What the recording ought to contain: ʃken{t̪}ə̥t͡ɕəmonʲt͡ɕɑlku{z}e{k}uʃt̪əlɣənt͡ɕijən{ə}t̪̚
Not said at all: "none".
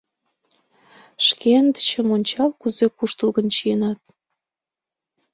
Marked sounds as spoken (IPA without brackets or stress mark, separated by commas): d̪, z, k, ɑ